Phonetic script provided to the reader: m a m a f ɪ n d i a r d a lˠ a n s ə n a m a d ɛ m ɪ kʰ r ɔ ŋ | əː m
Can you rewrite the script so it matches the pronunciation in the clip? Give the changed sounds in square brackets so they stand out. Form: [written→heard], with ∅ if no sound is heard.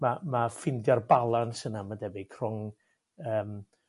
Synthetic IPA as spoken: m a m a f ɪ n d [i→j] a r [d→b] a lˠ a n s ə n a m a d ɛ [m→b] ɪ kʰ r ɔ ŋ | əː m